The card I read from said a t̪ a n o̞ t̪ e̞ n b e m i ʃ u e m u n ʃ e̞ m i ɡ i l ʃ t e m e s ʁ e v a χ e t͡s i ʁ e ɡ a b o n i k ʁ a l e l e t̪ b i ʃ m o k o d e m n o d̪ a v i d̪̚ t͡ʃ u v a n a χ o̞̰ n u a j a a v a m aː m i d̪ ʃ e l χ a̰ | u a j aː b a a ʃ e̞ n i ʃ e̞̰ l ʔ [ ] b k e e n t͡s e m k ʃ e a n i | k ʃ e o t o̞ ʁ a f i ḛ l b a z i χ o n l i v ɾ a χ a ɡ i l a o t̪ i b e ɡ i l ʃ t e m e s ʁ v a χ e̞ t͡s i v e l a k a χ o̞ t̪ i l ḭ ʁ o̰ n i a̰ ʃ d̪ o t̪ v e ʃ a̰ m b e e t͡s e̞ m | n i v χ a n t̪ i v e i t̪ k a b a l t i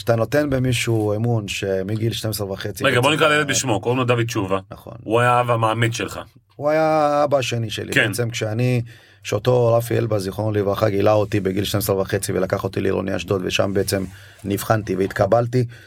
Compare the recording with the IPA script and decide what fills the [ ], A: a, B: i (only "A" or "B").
B